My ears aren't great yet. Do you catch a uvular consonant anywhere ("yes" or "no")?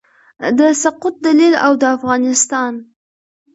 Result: yes